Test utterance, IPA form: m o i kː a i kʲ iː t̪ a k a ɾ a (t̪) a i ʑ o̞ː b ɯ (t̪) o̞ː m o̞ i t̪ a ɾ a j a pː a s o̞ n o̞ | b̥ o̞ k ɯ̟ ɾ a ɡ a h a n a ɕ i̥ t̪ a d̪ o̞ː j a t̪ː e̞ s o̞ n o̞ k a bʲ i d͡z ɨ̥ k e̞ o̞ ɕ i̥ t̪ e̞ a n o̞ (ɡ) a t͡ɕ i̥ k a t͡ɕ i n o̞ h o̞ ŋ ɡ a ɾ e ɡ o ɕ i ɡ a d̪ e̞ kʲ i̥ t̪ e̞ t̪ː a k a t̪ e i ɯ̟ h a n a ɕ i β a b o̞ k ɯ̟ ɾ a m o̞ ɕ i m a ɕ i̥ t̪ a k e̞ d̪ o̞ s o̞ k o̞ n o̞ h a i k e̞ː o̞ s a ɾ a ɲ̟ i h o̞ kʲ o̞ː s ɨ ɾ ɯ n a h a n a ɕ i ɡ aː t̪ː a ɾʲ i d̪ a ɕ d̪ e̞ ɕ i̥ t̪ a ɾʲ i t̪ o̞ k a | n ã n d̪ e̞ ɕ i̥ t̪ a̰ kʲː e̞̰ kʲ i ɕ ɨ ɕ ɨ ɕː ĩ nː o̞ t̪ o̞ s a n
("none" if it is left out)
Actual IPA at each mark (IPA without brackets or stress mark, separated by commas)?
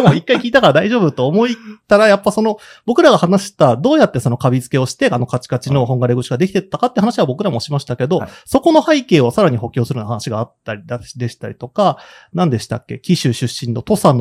d̪, t̪, k